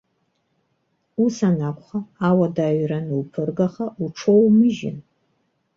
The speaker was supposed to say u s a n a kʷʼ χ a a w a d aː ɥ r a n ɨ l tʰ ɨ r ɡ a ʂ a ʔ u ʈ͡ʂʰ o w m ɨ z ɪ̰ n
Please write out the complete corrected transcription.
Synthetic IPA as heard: u s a n a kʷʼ χ a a w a d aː ɥ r a n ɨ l pʰ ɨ r ɡ a χ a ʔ u ʈ͡ʂʰ o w m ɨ ʒ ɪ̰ n